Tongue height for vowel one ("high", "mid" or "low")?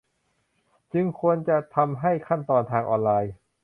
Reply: high